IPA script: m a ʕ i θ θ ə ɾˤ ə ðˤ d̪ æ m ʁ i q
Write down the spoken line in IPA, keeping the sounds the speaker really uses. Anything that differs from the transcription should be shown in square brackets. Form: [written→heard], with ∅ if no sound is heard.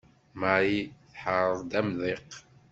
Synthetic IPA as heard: m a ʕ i θ [θ→ħ] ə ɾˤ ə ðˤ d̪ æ m [ʁ→ð] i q